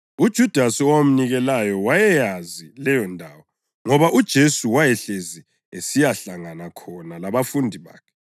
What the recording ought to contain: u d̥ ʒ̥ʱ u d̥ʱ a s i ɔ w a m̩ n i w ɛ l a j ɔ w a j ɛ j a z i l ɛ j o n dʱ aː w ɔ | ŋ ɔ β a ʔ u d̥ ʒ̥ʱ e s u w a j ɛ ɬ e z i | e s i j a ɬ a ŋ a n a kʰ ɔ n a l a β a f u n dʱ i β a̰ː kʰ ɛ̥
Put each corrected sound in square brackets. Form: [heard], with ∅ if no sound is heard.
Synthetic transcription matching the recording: u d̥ ʒ̥ʱ u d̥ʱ a s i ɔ w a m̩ n i [ɣ] ɛ l a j ɔ w a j ɛ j a z i l ɛ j [ɔ] n dʱ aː w ɔ | ŋ ɔ β a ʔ u d̥ ʒ̥ʱ e s u w a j ɛ ɬ e z i | e s i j a ɬ a ŋ a n a kʰ ɔ n a l a β a f u n dʱ i β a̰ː kʰ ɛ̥